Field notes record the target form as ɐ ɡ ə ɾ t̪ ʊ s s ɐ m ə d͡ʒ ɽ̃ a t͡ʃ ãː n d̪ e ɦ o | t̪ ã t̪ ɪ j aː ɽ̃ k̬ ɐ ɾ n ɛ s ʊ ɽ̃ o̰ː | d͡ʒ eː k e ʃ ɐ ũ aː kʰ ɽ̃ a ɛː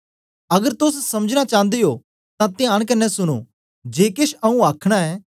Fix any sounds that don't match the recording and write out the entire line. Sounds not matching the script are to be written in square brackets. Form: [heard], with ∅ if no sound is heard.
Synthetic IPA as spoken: ɐ ɡ ə ɾ t̪ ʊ s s ɐ m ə d͡ʒ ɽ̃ a t͡ʃ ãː n d̪ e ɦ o | t̪ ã t̪ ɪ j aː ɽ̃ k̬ ɐ ɾ n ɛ s ʊ ɽ̃ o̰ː | d͡ʒ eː k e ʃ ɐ ũ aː kʰ ɽ̃ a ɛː